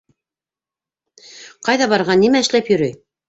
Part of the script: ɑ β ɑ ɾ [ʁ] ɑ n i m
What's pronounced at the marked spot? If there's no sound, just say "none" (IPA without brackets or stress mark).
ʁ